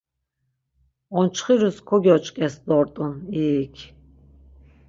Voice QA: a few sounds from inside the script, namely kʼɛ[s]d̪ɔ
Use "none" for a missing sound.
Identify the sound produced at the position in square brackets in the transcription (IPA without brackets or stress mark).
s